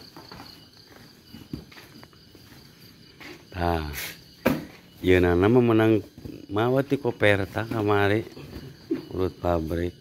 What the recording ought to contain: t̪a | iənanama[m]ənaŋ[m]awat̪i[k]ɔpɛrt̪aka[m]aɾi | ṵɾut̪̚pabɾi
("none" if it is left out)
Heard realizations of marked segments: m, m, k, m

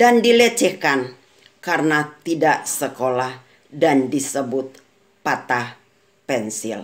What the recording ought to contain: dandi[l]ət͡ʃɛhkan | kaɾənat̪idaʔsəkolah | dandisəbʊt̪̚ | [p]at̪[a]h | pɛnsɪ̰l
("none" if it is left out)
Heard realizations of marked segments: l, p, a

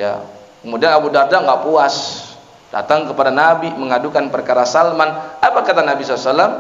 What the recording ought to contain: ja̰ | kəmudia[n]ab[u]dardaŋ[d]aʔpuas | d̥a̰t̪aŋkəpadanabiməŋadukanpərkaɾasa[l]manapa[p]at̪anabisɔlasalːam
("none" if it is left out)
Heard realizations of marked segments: n, u, ɡ, l, k

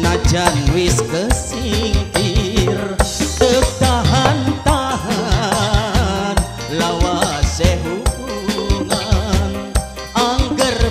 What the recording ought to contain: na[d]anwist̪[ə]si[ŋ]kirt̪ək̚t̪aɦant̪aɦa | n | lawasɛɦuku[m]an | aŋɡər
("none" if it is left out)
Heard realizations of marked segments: d͡ʒ, ə, ŋ, ŋ

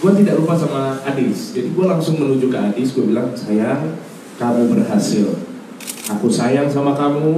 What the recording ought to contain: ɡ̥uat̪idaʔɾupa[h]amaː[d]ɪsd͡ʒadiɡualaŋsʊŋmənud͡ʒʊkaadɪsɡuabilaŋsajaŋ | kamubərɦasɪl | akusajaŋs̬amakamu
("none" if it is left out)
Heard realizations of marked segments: s, d

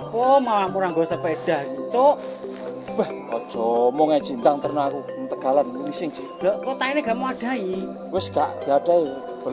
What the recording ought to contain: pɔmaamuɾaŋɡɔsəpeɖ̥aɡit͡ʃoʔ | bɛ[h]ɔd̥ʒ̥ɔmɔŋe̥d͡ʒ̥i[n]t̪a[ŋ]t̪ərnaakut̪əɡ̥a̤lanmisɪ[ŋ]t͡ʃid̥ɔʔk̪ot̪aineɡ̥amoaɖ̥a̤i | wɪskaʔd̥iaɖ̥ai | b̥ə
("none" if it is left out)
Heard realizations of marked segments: h, n, ŋ, ŋ

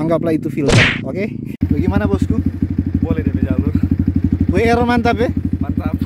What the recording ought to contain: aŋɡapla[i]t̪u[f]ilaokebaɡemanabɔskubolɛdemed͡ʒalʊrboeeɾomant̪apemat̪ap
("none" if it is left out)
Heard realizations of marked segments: i, f

